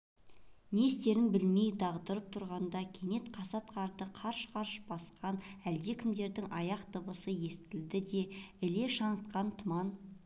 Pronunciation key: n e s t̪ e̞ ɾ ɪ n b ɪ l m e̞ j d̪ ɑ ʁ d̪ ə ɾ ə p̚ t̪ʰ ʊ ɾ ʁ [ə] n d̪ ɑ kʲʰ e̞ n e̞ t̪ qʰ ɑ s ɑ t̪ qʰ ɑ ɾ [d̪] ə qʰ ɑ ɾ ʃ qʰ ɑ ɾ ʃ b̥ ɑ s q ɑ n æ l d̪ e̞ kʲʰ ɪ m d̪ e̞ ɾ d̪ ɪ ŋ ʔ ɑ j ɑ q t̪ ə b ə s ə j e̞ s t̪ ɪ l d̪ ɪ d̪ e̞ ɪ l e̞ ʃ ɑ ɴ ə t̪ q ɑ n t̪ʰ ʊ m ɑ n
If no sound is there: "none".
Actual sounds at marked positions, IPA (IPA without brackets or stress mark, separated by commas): ɑ, d̪